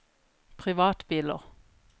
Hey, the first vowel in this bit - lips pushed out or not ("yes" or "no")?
no